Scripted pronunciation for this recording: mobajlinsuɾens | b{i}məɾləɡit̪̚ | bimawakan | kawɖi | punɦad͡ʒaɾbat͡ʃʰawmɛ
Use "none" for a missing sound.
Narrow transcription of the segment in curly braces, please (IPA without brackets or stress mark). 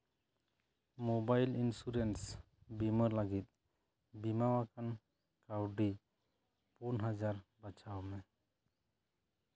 i